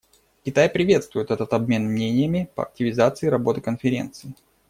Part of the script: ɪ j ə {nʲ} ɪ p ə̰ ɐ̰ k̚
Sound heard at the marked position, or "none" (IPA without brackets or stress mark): mʲ